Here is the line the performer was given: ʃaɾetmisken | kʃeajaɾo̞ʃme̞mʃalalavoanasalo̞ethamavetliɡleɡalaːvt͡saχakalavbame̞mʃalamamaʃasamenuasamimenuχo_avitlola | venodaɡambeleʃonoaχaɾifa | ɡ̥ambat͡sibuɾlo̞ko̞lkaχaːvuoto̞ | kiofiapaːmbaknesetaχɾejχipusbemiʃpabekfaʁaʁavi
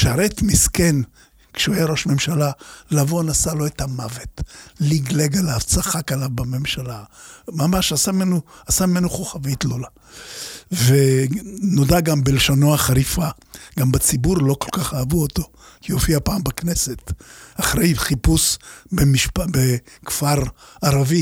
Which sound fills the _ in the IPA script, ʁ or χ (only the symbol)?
χ